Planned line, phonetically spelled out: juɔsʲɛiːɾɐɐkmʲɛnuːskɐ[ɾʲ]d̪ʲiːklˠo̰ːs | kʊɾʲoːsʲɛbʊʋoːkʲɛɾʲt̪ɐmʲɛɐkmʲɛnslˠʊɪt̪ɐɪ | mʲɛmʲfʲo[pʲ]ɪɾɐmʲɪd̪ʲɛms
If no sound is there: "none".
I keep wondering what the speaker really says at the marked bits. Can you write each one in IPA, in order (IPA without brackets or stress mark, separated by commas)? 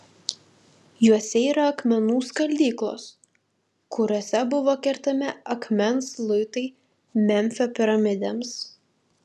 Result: lʲ, pʲ